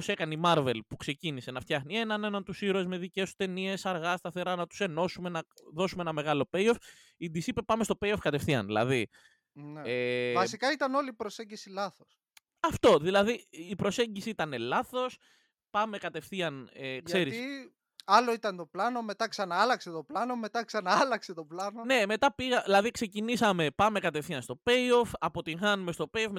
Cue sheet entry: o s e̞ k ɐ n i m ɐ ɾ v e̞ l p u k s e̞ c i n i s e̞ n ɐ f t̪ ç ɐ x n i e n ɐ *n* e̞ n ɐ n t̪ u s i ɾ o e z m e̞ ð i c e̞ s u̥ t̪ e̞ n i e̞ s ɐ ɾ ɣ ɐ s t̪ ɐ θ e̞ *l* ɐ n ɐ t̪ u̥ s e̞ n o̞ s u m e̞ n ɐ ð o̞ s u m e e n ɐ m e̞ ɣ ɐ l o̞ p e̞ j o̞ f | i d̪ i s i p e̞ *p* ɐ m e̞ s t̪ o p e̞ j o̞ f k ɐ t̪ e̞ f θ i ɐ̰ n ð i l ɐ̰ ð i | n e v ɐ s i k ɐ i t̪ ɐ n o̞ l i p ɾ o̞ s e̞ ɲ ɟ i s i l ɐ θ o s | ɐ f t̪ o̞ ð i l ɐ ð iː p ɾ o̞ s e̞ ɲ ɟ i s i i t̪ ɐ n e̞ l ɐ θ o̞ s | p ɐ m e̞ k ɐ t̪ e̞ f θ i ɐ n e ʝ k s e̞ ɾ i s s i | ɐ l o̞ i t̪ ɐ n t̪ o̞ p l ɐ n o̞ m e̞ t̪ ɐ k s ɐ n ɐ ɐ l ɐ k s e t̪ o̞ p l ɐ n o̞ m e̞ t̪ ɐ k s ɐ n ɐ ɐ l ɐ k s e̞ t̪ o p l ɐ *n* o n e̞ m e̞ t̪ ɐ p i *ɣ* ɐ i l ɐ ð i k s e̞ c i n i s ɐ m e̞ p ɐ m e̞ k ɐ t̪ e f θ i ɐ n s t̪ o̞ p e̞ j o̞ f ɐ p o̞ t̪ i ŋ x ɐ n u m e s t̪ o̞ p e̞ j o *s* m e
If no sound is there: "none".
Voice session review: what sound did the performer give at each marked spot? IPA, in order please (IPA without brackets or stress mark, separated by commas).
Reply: n, ɾ, p, n, ɣ, f